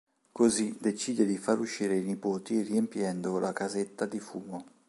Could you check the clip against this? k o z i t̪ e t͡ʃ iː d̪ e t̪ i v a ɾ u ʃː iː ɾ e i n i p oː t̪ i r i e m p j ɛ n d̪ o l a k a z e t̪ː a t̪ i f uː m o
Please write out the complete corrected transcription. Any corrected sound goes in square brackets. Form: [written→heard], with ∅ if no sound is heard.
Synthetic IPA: k o z i [t̪→d̪] e t͡ʃ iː d̪ e [t̪→d̪] i [v→f] a ɾ u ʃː iː ɾ e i n i p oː t̪ i r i e m p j ɛ n d̪ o l a k a z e t̪ː a [t̪→d̪] i f uː m o